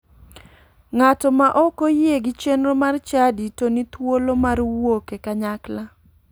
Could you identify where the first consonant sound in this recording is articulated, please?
velar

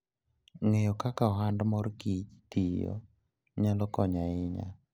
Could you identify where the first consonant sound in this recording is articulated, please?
velar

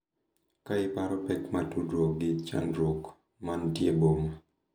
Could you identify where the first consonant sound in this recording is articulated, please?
velar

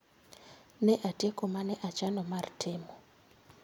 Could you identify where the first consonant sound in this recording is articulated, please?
alveolar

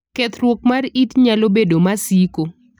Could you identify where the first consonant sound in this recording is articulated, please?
velar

